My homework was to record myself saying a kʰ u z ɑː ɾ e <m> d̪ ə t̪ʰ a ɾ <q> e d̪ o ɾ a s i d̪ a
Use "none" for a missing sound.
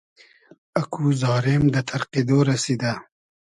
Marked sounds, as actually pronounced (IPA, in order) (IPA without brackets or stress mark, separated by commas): m, q